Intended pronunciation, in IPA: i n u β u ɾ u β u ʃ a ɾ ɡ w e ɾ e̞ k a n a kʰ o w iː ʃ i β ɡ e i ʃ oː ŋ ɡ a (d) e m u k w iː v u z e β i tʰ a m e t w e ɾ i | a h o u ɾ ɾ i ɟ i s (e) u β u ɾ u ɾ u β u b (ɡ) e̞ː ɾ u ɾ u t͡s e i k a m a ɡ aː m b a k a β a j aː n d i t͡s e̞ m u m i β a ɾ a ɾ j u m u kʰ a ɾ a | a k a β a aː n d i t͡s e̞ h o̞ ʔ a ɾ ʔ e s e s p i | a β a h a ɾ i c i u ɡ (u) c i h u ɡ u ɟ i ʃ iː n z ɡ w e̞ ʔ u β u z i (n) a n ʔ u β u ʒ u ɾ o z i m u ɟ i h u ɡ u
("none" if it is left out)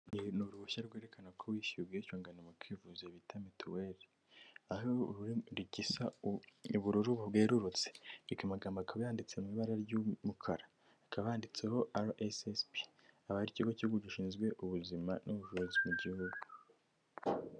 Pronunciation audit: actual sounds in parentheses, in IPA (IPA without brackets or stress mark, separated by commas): n, a, ɡ, o, m